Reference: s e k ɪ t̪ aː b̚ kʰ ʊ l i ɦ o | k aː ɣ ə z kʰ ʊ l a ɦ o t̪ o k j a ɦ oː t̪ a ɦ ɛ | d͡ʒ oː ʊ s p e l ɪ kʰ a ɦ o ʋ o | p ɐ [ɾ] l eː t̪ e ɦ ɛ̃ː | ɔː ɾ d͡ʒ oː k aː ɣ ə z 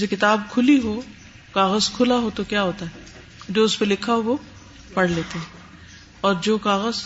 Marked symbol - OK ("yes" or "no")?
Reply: no